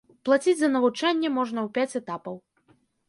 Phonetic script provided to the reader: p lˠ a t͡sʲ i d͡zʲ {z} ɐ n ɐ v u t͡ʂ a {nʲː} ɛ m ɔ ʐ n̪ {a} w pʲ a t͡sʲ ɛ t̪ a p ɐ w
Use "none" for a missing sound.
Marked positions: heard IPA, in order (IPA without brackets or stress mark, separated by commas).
z, nʲː, ɐ